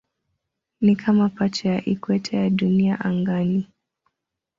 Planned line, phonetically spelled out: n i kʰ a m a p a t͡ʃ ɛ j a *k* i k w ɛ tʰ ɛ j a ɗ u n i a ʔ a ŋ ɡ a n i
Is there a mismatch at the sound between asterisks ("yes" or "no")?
yes